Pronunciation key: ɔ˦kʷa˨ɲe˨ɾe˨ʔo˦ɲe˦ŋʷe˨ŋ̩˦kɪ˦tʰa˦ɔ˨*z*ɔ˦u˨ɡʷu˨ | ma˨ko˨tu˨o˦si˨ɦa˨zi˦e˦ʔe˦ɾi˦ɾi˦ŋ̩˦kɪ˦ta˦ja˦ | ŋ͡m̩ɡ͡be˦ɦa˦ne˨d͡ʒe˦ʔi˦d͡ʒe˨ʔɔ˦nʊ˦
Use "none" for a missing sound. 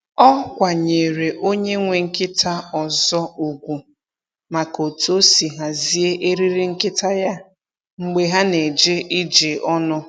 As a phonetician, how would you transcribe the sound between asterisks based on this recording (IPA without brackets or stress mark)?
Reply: z